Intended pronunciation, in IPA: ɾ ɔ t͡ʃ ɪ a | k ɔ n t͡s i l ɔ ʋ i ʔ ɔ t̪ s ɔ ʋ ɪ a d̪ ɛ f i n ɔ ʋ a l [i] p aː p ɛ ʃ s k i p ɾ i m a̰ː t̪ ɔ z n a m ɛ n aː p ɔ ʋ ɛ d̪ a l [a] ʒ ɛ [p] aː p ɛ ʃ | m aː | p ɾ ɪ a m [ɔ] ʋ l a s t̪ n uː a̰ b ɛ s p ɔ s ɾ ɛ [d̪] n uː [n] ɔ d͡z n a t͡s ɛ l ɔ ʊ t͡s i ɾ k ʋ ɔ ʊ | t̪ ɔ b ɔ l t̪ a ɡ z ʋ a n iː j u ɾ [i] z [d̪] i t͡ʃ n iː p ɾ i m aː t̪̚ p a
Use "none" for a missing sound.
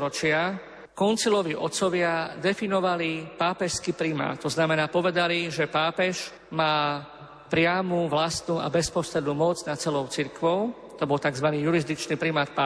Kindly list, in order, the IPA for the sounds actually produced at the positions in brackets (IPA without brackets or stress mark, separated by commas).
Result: i, i, p, u, d̪, m, i, d̪